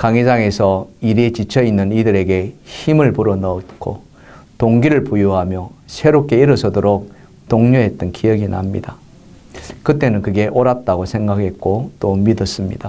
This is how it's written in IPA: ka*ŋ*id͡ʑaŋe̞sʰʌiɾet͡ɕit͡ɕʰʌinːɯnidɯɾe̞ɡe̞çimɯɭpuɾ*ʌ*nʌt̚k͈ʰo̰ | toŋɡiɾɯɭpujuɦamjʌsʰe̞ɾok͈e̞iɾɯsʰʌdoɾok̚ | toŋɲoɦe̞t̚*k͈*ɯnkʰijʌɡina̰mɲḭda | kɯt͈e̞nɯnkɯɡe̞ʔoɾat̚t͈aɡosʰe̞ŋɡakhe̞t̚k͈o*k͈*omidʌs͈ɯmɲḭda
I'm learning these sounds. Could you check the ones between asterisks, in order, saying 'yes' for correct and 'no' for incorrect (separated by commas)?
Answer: yes, yes, no, no